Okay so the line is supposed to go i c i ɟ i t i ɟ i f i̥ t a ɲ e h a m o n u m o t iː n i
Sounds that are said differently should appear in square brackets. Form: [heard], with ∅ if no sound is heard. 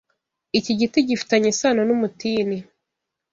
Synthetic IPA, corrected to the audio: i c i ɟ i t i ɟ i f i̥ t a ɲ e [s] a [n] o n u m [u] t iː n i